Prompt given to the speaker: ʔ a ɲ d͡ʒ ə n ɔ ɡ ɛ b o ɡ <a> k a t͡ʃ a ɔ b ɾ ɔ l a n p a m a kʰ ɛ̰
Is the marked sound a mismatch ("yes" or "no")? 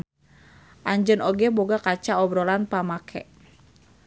no